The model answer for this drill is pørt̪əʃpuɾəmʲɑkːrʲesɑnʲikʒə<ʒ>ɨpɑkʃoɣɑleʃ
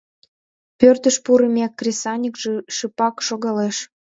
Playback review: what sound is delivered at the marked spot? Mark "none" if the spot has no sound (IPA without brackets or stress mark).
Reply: ʃ